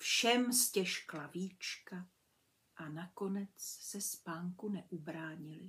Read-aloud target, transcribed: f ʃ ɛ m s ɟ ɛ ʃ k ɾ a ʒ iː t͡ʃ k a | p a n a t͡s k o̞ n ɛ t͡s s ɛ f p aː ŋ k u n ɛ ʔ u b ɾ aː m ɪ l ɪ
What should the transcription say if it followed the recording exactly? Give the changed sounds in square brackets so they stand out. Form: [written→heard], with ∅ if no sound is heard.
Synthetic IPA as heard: f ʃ ɛ m s [ɟ→c] ɛ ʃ k [ɾ→l] a [ʒ→v] iː t͡ʃ k a | [p→ʔ] a n a [t͡s→∅] k o̞ n ɛ t͡s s ɛ [f→s] p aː ŋ k u n ɛ ʔ u b ɾ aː [m→ɲ] ɪ l ɪ